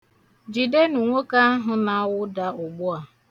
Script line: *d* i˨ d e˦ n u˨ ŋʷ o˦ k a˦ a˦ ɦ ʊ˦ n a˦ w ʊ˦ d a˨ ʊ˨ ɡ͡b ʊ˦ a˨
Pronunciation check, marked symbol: incorrect: d͡ʒ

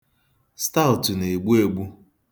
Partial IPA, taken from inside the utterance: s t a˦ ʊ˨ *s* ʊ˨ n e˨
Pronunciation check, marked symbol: incorrect: t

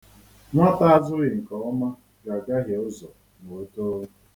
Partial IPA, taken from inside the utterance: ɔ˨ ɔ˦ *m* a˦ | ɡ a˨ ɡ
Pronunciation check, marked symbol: correct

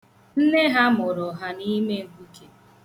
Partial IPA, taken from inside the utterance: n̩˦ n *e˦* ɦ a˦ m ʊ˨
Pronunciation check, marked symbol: correct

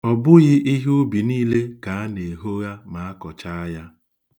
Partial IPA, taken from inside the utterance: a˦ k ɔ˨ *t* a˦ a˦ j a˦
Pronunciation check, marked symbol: incorrect: t͡ʃ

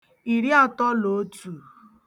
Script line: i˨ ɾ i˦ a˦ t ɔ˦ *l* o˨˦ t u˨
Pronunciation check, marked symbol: correct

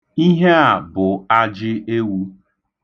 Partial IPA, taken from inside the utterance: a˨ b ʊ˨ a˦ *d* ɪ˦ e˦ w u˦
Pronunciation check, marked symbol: incorrect: d͡ʒ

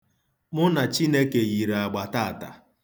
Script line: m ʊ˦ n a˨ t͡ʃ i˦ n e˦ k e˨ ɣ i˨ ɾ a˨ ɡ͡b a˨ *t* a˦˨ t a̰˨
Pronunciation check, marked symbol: correct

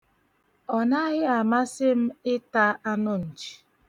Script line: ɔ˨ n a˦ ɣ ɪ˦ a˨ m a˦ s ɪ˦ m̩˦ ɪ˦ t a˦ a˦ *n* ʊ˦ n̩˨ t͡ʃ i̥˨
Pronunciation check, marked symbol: correct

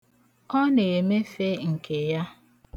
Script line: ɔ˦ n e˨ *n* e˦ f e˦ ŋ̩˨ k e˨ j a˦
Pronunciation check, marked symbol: incorrect: m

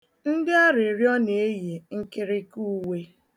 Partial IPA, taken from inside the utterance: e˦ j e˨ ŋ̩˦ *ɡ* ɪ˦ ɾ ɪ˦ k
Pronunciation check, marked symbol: incorrect: k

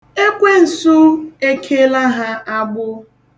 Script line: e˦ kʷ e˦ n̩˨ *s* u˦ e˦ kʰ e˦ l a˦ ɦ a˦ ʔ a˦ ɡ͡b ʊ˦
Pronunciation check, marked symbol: correct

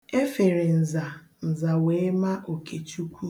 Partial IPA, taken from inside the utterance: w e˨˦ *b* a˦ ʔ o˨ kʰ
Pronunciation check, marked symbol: incorrect: m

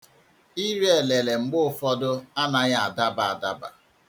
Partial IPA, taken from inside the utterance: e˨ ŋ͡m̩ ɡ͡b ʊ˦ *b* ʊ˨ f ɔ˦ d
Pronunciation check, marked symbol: incorrect: none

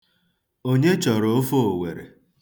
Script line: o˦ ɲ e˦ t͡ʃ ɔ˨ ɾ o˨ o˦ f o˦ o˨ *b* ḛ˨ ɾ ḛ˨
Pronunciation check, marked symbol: incorrect: w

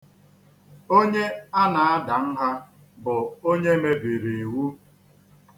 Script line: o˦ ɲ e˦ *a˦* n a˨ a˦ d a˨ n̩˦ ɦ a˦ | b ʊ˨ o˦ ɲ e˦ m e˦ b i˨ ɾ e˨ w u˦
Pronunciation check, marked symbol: correct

